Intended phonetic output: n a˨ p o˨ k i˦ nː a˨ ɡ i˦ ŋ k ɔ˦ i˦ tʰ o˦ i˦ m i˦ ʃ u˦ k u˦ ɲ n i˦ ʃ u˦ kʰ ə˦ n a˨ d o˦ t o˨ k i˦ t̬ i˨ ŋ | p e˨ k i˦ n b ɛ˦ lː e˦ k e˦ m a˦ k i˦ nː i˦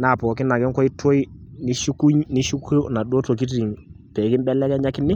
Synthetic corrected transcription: n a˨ p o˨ k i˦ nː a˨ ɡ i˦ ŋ k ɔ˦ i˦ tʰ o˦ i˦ n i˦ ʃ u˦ k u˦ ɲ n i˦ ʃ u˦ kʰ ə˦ n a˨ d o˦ t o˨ k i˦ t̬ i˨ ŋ | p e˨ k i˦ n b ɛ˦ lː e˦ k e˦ ɲ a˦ k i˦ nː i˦